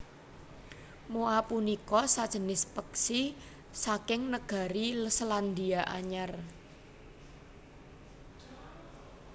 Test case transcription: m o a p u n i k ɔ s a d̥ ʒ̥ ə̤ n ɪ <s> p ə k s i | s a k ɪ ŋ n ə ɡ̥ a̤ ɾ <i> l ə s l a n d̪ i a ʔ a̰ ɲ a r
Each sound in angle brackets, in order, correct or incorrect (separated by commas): correct, correct